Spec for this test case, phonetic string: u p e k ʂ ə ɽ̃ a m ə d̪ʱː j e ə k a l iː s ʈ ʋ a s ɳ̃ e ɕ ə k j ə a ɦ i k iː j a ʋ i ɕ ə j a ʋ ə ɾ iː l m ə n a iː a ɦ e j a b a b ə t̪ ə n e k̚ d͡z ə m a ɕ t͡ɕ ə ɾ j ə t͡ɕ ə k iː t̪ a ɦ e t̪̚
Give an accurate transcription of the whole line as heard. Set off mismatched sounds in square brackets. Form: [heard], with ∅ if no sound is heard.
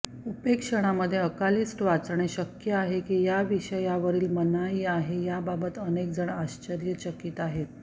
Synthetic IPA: u p e k ʂ ə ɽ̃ a m ə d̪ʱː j e ə k a l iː s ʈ ʋ a [t͡s] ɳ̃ e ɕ ə k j ə a ɦ [e] k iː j a ʋ i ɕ ə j a ʋ ə ɾ iː l m ə n a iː a ɦ e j a b a b ə t̪ ə n e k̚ d͡z ə [ɳ] a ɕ t͡ɕ ə ɾ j ə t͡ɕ ə k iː t̪ a ɦ e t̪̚